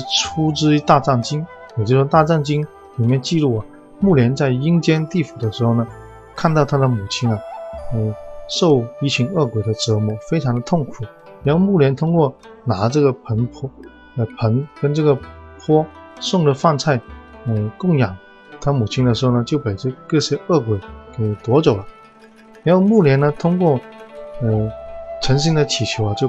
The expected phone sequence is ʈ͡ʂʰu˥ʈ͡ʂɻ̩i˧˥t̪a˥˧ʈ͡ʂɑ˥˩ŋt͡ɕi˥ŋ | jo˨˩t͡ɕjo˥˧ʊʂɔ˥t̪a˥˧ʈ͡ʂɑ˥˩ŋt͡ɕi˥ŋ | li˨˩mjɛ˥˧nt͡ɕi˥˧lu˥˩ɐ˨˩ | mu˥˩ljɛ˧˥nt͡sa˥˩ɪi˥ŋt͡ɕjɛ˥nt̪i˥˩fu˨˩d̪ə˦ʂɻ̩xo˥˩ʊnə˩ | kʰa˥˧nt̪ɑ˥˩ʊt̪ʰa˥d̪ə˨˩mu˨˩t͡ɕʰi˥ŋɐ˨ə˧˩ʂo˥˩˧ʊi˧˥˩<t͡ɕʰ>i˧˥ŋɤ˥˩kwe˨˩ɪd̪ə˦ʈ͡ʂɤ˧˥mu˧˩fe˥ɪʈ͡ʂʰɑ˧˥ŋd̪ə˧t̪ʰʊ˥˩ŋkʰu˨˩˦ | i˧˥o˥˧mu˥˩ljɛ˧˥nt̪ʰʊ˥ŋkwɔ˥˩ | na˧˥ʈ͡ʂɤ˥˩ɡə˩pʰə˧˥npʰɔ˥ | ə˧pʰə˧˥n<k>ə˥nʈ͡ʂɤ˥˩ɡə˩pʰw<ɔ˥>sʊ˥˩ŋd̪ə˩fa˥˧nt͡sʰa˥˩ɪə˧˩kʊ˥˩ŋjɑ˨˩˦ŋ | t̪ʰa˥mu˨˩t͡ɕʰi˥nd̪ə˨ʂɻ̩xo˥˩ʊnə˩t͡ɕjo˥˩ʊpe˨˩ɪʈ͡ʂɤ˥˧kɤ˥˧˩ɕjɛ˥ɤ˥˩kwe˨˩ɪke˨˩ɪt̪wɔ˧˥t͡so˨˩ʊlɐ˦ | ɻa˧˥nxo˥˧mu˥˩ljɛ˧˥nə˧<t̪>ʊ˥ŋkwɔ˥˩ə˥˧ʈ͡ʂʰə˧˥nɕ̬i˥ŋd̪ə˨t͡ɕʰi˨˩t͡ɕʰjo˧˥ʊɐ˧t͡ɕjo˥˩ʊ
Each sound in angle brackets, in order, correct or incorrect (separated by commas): correct, correct, correct, incorrect